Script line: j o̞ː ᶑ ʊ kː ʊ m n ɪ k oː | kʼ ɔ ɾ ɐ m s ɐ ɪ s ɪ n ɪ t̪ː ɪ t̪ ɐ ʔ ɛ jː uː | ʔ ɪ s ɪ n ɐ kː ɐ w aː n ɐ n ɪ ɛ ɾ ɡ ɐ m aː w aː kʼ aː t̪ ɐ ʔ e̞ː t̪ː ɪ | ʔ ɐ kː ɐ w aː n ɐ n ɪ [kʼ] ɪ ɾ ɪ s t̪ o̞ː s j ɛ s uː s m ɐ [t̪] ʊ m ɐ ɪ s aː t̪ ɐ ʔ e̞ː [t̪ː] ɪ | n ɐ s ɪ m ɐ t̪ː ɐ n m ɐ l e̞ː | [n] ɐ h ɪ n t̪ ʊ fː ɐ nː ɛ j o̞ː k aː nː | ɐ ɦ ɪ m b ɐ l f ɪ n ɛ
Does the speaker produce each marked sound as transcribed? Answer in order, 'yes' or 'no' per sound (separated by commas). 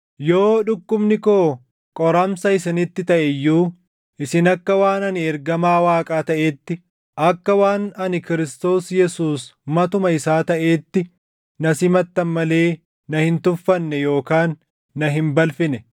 no, yes, yes, yes